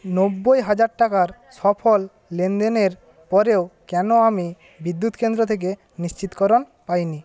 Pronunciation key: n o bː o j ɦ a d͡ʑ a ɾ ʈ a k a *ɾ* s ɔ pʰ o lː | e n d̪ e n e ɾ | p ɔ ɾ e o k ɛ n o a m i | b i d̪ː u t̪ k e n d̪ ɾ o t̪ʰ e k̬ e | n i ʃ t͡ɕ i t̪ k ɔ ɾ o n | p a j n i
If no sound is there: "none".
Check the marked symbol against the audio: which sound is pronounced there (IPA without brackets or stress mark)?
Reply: ɾ